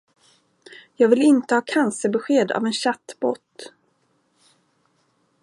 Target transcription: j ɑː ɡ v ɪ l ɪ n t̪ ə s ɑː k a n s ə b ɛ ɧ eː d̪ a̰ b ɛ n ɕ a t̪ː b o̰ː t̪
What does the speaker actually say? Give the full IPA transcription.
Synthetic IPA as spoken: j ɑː ɡ v ɪ l ɪ n t̪ ə h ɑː kʰ a n s ə b ɛ ɧ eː d̪ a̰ v ɛ n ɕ a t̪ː b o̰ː t̪